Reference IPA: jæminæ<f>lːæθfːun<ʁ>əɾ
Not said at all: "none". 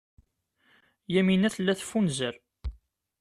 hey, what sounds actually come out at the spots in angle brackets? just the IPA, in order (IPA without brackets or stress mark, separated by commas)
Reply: θ, z